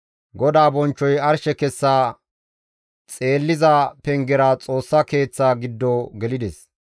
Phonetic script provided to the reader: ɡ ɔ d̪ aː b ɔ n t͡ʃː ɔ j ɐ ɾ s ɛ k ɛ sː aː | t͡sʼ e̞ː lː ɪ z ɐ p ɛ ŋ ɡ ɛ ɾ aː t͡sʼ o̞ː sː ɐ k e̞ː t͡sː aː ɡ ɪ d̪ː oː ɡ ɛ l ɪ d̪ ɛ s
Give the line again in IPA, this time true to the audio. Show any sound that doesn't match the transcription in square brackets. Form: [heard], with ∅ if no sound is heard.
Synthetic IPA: ɡ ɔ d̪ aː b ɔ n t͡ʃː ɔ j ɐ ɾ [ʃ] ɛ k ɛ sː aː | t͡sʼ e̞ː lː ɪ z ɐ p ɛ ŋ ɡ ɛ ɾ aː t͡sʼ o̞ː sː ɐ k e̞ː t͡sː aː ɡ ɪ d̪ː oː ɡ ɛ l ɪ d̪ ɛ s